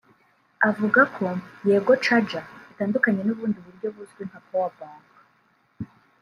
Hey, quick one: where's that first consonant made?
lips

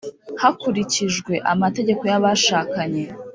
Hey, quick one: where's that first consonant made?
throat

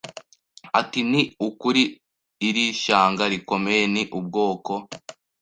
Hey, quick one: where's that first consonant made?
tongue tip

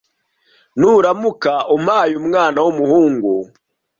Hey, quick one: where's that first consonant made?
tongue tip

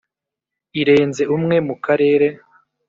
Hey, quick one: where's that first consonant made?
tongue tip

